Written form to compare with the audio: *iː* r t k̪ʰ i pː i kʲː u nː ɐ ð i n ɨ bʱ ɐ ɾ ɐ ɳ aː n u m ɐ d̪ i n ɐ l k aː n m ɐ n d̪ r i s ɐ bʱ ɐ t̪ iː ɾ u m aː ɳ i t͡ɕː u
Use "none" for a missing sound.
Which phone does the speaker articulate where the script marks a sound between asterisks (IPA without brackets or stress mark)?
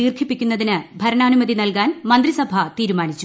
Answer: iː